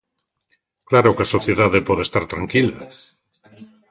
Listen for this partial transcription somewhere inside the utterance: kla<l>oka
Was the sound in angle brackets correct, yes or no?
no